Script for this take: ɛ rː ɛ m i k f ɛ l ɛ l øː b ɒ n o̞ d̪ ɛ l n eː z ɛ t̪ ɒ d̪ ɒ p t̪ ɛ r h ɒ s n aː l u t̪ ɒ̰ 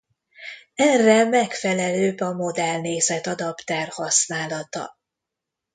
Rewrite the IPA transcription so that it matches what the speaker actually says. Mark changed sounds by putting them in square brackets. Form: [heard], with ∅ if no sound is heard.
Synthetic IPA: ɛ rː ɛ m [ɛ] k f ɛ l ɛ l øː b ɒ [m] o̞ d̪ ɛ l n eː z ɛ t̪ ɒ d̪ ɒ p t̪ ɛ r h ɒ s n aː l [ɒ] t̪ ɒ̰